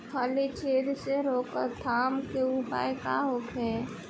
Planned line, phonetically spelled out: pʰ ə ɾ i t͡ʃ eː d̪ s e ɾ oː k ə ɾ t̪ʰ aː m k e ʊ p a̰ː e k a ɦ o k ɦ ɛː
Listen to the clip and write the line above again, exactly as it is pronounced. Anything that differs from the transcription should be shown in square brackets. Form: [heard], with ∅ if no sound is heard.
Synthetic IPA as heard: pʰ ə [l] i t͡ʃ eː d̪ s e ɾ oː k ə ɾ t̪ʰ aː m k e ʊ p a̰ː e k a ɦ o k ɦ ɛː